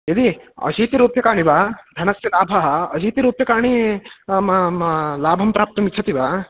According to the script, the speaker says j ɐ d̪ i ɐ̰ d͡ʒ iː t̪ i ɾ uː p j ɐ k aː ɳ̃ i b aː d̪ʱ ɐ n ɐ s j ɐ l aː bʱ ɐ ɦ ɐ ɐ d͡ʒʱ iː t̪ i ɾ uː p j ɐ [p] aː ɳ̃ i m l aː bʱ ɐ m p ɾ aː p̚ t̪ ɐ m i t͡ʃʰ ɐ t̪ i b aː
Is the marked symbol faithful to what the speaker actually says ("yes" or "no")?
no